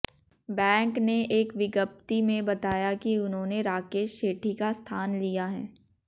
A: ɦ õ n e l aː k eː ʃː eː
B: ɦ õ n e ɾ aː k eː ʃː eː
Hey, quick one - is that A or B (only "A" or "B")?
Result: B